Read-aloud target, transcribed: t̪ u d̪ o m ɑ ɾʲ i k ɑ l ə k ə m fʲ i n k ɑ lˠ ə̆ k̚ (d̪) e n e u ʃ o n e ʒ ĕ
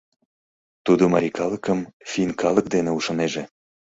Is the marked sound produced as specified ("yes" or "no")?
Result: yes